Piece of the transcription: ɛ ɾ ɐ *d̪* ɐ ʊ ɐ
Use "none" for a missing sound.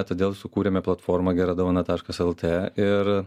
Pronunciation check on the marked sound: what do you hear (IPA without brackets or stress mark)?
d̪